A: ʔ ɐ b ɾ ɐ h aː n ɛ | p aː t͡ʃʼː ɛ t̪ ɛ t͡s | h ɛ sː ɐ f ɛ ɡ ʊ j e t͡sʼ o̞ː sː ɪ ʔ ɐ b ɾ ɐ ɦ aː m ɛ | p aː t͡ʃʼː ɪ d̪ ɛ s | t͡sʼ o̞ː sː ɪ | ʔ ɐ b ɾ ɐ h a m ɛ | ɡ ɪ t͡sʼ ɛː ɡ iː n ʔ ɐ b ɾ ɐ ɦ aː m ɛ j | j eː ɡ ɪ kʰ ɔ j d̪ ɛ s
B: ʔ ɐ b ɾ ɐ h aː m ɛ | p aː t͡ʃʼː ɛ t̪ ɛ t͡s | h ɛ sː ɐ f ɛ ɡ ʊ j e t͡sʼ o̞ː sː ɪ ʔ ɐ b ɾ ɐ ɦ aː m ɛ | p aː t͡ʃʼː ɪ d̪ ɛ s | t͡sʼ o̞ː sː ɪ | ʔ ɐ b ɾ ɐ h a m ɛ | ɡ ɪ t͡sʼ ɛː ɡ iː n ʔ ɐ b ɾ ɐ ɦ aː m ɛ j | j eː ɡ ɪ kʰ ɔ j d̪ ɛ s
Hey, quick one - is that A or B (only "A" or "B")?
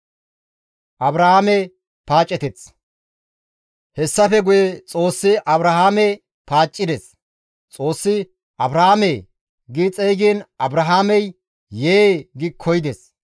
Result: B